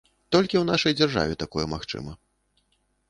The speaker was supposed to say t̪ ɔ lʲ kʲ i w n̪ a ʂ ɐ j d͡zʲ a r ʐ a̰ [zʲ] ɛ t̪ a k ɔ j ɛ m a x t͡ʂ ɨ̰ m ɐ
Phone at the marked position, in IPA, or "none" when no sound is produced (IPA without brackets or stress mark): vʲ